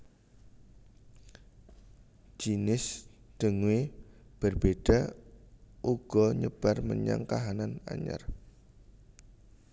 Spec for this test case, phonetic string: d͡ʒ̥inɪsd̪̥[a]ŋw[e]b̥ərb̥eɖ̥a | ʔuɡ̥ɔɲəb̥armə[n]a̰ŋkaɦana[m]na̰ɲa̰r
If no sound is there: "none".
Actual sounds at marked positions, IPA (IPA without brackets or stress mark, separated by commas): ə, e, ɲ, none